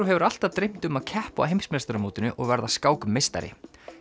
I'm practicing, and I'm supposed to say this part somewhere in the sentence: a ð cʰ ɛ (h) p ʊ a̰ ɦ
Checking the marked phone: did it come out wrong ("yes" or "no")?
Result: no